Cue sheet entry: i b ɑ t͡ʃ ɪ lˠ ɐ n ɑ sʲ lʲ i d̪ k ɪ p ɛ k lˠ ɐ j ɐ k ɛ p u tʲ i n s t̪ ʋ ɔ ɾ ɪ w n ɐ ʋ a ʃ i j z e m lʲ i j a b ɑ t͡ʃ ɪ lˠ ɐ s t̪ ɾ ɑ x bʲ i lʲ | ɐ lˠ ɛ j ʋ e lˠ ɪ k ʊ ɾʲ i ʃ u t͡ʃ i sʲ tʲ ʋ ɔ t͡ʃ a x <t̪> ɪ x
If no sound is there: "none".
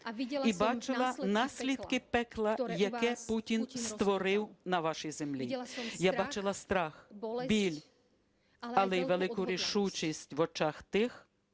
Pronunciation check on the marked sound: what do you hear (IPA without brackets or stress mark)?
t̪